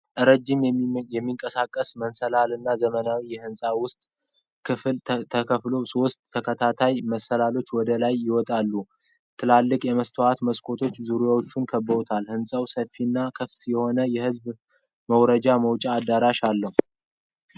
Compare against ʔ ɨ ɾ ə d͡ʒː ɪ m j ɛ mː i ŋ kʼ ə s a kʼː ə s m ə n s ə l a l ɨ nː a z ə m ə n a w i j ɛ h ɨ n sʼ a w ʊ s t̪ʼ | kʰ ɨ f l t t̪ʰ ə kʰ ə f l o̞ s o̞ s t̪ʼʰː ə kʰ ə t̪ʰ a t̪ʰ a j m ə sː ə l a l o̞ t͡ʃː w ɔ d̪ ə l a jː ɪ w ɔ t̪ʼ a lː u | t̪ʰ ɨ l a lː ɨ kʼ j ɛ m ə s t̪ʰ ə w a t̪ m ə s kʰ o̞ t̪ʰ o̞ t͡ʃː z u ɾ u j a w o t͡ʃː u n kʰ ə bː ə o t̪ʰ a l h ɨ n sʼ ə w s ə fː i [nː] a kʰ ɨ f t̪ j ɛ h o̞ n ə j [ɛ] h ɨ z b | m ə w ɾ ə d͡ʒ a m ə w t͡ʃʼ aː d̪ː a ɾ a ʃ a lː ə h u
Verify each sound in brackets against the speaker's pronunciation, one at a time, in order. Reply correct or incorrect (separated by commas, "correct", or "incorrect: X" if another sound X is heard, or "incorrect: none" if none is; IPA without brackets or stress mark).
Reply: correct, correct